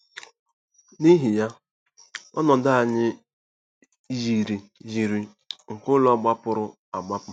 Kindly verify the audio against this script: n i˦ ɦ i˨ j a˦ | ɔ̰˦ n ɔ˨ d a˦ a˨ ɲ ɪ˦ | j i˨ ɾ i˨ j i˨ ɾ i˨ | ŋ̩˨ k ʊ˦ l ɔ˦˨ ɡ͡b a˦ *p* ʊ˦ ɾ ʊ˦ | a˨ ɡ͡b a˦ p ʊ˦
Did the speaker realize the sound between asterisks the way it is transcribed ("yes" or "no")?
yes